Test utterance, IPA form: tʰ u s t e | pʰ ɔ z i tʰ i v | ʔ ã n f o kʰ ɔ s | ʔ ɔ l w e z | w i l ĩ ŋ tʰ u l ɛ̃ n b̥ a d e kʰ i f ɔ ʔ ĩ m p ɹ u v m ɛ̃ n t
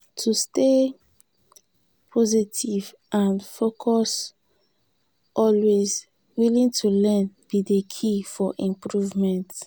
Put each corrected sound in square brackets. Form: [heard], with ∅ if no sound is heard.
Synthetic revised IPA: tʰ u s t e | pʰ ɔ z i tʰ i v | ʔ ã n f o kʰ ɔ s | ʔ ɔ l w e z | w i l ĩ ŋ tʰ u l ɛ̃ n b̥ [i] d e kʰ i f ɔ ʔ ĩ m p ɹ u v m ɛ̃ n t